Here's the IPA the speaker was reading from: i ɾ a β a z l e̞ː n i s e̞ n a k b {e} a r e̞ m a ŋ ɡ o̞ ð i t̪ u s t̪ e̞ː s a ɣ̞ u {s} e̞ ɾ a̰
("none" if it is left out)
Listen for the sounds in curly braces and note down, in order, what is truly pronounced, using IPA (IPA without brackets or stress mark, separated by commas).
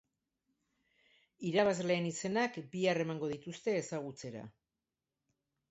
i, t͡s